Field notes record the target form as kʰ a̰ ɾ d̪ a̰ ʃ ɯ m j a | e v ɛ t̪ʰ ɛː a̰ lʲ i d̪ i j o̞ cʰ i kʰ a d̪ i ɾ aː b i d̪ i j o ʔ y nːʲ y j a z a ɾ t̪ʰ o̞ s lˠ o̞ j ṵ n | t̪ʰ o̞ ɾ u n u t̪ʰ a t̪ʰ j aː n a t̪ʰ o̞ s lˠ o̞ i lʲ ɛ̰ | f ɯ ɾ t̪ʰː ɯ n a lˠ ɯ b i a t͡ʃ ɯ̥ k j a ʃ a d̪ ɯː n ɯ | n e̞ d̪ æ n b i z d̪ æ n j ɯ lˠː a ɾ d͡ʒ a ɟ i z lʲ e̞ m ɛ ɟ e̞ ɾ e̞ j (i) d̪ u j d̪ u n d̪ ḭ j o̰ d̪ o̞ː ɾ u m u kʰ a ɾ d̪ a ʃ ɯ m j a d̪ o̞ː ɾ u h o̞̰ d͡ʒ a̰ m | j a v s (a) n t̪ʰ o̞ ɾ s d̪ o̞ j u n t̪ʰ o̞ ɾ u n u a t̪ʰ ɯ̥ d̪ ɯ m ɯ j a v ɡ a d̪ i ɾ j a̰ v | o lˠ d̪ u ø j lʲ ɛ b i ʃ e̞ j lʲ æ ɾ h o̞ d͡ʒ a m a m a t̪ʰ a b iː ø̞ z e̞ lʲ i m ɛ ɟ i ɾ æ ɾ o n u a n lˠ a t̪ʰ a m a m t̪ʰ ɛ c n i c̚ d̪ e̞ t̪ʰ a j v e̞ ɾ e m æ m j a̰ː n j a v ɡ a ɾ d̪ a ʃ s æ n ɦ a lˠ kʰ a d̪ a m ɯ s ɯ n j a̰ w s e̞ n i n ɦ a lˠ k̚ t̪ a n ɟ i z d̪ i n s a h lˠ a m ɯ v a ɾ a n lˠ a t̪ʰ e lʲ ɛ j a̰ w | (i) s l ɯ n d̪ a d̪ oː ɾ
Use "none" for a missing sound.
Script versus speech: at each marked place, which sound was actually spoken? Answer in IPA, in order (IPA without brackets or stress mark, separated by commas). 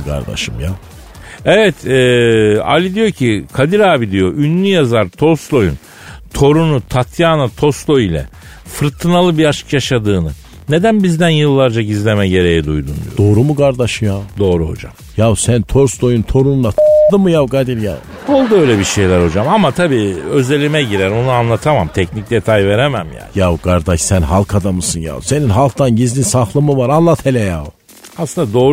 ɛ, æ, a